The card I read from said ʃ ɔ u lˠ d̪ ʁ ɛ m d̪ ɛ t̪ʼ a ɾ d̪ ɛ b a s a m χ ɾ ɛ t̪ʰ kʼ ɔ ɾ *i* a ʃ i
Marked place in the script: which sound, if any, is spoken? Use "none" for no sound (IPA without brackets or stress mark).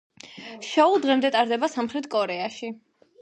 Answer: ɛ